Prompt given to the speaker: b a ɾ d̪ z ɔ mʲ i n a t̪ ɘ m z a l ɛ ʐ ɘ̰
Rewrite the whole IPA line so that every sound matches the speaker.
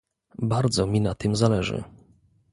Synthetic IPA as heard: b a ɾ d̪ z ɔ mʲ i n a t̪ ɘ m z a l ɛ ʐ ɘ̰

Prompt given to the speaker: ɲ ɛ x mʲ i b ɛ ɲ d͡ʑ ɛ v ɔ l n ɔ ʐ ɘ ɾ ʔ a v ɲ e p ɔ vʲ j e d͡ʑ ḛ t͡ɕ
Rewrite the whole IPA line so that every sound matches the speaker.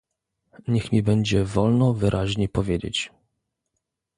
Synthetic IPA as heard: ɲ ɛ x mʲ i b ɛ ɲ d͡ʑ ɛ v ɔ l n ɔ v ɘ ɾ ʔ a ʑ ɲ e p ɔ vʲ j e d͡ʑ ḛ t͡ɕ

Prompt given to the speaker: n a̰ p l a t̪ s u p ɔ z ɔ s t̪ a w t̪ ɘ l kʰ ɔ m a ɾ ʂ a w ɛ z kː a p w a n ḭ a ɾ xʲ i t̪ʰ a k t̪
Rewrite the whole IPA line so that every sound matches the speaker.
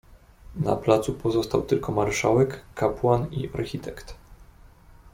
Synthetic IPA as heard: n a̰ p l a t̪ s u p ɔ z ɔ s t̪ a w t̪ ɘ l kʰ ɔ m a ɾ ʂ a w ɛ kː a p w a n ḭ a ɾ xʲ i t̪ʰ ɛ k t̪

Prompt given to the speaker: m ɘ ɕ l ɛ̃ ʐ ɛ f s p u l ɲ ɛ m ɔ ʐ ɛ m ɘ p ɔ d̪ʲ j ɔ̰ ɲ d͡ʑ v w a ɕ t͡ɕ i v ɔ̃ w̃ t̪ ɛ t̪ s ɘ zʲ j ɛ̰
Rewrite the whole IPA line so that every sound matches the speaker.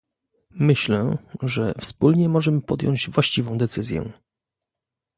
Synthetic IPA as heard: m ɘ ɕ l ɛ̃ ʐ ɛ f s p u l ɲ ɛ m ɔ ʐ ɛ m ɘ p ɔ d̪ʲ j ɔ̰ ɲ d͡ʑ v w a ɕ t͡ɕ i v ɔ̃ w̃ d̪ ɛ t̪ s ɘ zʲ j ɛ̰

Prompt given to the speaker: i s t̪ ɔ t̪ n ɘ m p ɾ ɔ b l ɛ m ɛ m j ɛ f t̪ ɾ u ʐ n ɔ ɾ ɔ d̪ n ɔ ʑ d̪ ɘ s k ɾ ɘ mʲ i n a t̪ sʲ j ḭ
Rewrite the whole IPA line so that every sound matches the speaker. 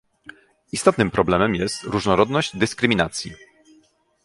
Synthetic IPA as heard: i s t̪ ɔ t̪ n ɘ m p ɾ ɔ b l ɛ m ɛ m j ɛ s t̪ ɾ u ʐ n ɔ ɾ ɔ d̪ n ɔ ʑ d̪ ɘ s k ɾ ɘ mʲ i n a t̪ sʲ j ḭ

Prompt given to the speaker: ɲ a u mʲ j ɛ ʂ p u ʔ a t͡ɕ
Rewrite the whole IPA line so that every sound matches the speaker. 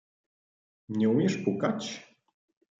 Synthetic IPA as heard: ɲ ɛ u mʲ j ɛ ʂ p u k a t͡ɕ

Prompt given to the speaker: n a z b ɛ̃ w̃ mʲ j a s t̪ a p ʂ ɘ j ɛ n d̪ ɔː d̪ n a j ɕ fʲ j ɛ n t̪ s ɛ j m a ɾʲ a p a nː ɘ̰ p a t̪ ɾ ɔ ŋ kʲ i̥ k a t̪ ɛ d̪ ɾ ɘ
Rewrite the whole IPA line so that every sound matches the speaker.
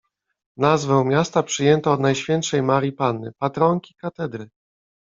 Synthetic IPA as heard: n a z v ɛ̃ w̃ mʲ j a s t̪ a p ʂ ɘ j ɛ n t̪ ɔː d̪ n a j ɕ fʲ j ɛ n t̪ ʂ ɛ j m a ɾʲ i p a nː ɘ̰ p a t̪ ɾ ɔ ŋ kʲ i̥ k a t̪ ɛ d̪ ɾ ɘ

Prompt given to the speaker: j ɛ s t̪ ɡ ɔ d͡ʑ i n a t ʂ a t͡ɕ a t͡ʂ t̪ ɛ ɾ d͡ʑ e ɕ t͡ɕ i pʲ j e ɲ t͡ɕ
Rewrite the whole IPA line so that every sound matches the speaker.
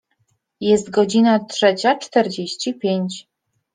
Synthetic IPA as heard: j ɛ s t̪ ɡ ɔ d͡ʑ i n a t ʂ ɛ t͡ɕ a t͡ʂ t̪ ɛ ɾ d͡ʑ e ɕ t͡ɕ i pʲ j e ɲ t͡ɕ

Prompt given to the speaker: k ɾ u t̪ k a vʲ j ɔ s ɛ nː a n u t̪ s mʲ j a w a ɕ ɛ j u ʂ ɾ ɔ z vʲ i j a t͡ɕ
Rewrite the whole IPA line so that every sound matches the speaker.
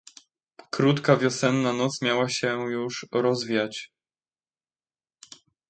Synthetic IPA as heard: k ɾ u t̪ k a vʲ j ɔ s ɛ nː a n ɔ t̪ s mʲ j a w a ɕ ɛ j u ʂ ɾ ɔ z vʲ i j a t͡ɕ

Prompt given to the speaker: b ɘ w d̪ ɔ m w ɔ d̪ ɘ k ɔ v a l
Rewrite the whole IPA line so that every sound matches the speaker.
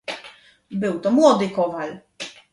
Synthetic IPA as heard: b ɘ w t̪ ɔ m w ɔ d̪ ɘ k ɔ v a l

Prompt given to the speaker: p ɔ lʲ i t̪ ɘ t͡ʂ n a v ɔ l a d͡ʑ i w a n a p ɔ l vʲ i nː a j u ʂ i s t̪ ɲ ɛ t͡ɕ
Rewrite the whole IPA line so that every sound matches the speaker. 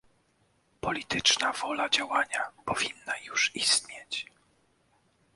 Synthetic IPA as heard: p ɔ lʲ i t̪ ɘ t͡ʂ n a v ɔ l a d͡ʑ a w a ɲ a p ɔ vʲ i nː a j u ʂ i s t̪ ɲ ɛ t͡ɕ

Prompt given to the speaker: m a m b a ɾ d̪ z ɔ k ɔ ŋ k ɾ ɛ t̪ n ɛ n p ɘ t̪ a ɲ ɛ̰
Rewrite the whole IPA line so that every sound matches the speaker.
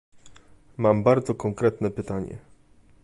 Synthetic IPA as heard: m a m b a ɾ d̪ z ɔ k ɔ ŋ k ɾ ɛ t̪ n ɛ p ɘ t̪ a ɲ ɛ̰

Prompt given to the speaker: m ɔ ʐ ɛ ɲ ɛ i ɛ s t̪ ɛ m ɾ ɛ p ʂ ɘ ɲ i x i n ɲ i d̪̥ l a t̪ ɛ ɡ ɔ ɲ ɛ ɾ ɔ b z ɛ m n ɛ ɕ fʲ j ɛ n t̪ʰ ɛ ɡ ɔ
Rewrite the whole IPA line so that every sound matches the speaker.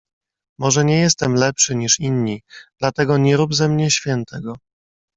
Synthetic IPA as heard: m ɔ ʐ ɛ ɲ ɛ j ɛ s t̪ ɛ m l ɛ p ʂ ɘ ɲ i ʂ i n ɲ i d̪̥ l a t̪ ɛ ɡ ɔ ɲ ɛ ɾ u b z ɛ m ɲ ɛ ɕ fʲ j ɛ n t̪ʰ ɛ ɡ ɔ

